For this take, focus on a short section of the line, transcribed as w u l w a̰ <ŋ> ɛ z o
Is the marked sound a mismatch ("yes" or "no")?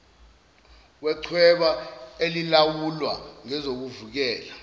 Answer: no